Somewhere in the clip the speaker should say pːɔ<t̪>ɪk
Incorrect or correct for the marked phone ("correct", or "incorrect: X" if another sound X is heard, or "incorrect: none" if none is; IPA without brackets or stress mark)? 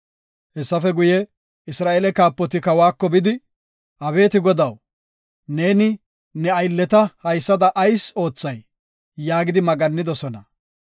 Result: correct